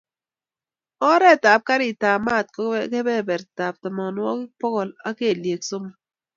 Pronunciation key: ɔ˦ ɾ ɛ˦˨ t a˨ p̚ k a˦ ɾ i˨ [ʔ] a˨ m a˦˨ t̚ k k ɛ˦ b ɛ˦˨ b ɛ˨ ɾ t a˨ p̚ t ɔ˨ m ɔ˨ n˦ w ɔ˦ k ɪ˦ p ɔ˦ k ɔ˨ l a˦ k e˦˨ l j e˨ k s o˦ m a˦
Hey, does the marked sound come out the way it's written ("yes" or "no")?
no